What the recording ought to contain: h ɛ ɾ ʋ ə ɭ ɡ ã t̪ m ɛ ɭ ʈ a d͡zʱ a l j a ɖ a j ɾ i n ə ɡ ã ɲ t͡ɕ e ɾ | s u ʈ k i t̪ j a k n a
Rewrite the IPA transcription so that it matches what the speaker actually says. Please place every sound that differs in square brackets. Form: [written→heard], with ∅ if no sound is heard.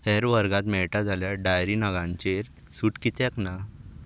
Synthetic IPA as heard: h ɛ ɾ ʋ ə [ɭ→ɾ] ɡ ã t̪ m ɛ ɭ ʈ a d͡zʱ a l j a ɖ a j ɾ i n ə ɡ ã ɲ t͡ɕ e ɾ | s u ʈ k i t̪ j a k n a

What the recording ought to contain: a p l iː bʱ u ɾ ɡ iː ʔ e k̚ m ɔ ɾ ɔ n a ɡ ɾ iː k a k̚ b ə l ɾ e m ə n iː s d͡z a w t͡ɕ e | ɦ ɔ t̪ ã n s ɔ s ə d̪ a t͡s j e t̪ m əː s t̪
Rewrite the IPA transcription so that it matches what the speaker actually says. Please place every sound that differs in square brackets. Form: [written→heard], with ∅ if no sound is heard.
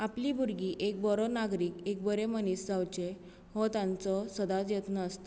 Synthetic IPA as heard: a p l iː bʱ u ɾ ɡ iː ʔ e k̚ [m→b] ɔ ɾ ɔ n a ɡ ɾ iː k [a→e] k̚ b ə [l→∅] ɾ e m ə n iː s d͡z a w t͡ɕ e | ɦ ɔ t̪ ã n [s→t͡s] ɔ s ə d̪ a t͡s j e t̪ [m→n] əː s t̪

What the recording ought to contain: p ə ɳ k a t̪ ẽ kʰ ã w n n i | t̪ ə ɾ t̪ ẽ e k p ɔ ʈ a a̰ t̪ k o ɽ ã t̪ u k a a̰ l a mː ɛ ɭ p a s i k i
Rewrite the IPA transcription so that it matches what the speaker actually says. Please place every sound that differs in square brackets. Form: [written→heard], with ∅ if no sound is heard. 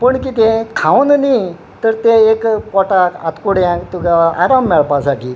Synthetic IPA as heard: p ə ɳ k [a→i] t̪ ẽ kʰ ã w n n i | t̪ ə ɾ t̪ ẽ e k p ɔ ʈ a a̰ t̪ k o ɽ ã t̪ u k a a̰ [l→ɾ] a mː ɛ ɭ p a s [i→a] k i

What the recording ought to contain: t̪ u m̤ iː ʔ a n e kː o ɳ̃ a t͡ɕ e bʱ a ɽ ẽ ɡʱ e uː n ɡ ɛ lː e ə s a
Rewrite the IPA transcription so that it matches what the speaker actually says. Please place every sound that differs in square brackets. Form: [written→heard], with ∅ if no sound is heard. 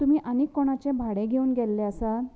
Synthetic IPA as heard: t̪ u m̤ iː ʔ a n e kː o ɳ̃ a t͡ɕ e bʱ a ɽ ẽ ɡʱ e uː n ɡ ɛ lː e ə s a

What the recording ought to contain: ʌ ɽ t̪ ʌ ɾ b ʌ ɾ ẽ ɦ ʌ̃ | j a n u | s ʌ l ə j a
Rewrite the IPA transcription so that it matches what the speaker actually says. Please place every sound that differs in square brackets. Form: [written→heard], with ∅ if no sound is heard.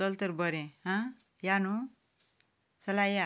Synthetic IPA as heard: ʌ [ɽ→l] t̪ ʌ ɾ b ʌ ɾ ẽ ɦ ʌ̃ | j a n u | s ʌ l [ə→a] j a

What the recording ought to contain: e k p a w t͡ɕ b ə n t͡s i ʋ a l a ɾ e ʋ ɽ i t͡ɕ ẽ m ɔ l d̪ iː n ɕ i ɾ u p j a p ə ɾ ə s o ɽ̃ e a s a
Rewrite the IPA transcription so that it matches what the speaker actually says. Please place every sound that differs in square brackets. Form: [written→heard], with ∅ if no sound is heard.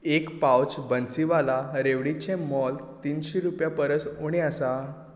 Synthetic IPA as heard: e k p a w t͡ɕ b ə n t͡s i ʋ a l a ɾ e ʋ ɽ i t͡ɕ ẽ m ɔ l [d̪→t̪] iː n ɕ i ɾ u p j a p ə ɾ ə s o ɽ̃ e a s a

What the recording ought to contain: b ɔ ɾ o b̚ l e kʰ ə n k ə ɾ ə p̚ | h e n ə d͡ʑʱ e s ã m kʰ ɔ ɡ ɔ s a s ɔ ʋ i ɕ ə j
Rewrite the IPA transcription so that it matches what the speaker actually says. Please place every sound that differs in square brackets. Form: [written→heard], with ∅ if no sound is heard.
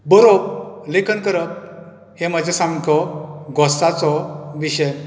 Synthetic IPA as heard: b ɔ ɾ o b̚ l e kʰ ə n k ə ɾ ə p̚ | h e [n→m] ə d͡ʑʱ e s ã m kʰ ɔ ɡ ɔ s a [s→t͡s] ɔ ʋ i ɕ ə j

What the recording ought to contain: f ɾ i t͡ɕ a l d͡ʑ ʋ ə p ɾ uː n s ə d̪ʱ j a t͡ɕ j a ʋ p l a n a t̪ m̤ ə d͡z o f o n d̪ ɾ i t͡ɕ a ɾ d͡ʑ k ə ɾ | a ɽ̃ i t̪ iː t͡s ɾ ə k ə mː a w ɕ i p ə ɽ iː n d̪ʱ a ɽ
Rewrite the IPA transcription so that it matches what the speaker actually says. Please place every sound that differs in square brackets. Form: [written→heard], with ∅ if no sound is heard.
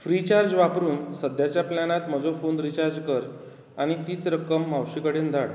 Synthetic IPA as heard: f ɾ i t͡ɕ a [l→ɾ] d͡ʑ ʋ [ə→a] p ɾ uː n s ə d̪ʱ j a t͡ɕ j a [ʋ→∅] p l a n a t̪ m̤ ə d͡z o f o n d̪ ɾ i t͡ɕ a ɾ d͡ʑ k ə ɾ | a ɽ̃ i t̪ iː t͡s ɾ ə k ə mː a w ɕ i [p→k] ə ɽ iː n d̪ʱ a ɽ

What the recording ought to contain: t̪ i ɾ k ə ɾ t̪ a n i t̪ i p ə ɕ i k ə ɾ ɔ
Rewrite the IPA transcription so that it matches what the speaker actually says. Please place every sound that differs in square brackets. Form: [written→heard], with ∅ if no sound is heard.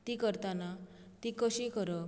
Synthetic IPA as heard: t̪ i [ɾ→∅] k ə ɾ t̪ a n [i→a] t̪ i [p→k] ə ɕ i k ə ɾ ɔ

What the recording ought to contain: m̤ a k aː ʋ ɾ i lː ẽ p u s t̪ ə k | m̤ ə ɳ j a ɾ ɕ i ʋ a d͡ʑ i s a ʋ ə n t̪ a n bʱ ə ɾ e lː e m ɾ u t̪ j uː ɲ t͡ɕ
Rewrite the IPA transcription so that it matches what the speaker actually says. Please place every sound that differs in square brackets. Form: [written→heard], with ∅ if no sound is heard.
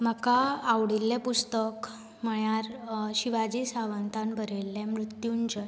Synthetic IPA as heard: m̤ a k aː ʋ [ɾ→ɽ] i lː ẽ p u s t̪ ə k | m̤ ə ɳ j a ɾ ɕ i ʋ a d͡ʑ i s a ʋ ə n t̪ a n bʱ ə ɾ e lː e m ɾ u t̪ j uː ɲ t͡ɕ

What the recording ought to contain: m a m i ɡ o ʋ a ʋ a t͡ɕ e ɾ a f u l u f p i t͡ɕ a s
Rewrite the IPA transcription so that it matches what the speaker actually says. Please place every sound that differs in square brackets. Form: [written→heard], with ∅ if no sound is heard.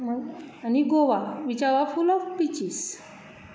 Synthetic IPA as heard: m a [m→n] i ɡ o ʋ a ʋ [a→i] t͡ɕ [e→a] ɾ a f u l [u→ɔ] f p i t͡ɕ [a→i] s

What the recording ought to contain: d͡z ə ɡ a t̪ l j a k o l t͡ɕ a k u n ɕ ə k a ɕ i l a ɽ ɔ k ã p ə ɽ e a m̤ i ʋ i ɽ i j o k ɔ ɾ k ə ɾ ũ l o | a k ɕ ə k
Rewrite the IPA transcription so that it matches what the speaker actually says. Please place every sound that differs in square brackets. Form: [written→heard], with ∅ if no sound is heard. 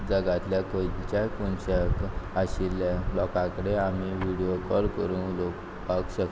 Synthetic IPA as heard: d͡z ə ɡ a t̪ l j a k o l t͡ɕ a k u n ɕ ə k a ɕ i l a [ɽ→l] ɔ k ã [p→k] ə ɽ e a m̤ i ʋ i ɽ i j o k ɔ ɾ k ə ɾ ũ l o | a k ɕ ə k

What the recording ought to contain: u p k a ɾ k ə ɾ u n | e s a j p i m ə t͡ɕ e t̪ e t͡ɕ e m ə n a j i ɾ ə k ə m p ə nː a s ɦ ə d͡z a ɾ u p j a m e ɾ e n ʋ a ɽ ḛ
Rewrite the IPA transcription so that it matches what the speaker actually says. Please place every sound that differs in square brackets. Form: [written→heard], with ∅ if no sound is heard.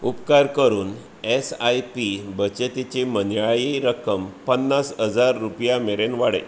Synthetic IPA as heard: u p k a ɾ k ə ɾ [u→uː] n | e s a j p i [m→b] ə t͡ɕ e t̪ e t͡ɕ e m ə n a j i ɾ ə k ə m p ə nː a s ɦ ə d͡z a [ɾ→ɾː] u p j a m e ɾ e n ʋ a ɽ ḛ

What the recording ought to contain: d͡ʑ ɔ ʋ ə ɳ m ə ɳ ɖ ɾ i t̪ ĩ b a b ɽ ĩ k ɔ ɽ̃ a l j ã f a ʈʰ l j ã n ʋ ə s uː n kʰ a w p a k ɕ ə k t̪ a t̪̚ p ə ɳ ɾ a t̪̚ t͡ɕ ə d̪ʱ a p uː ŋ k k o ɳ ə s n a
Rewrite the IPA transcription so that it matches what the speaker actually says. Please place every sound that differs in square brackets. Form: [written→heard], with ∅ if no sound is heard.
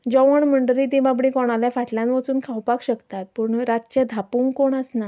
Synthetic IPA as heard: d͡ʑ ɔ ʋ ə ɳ m ə ɳ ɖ ɾ i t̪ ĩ b a b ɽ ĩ k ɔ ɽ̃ a l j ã f a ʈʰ l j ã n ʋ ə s uː n kʰ a w p a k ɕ ə k t̪ a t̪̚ p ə ɳ ɾ a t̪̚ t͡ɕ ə d̪ʱ a p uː ŋ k k o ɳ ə s n a

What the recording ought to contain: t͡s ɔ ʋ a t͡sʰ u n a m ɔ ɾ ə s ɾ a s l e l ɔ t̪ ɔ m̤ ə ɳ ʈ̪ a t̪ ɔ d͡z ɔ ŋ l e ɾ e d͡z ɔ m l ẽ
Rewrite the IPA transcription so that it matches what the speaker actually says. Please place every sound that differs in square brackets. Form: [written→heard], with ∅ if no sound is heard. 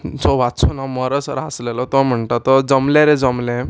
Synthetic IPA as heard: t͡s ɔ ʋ a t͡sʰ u n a m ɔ ɾ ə s ɾ a s l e l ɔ t̪ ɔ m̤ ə ɳ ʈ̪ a t̪ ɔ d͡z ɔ [ŋ→m] l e ɾ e d͡z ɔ m l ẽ

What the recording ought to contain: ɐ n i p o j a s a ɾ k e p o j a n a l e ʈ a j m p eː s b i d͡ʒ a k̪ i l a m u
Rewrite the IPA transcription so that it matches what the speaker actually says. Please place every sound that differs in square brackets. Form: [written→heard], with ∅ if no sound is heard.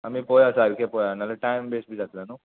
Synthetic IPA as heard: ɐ [n→m] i p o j a s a ɾ k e p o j a n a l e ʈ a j m [p→b] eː s b i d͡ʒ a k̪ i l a [m→n] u

